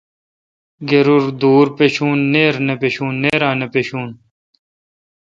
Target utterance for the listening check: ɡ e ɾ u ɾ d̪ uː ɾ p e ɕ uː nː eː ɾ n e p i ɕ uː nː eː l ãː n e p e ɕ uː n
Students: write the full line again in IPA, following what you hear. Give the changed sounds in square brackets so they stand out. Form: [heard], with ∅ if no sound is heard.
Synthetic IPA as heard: ɡ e ɾ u ɾ d̪ uː ɾ p e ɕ uː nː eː ɾ n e p [e] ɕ uː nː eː [ɾ] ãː n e p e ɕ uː n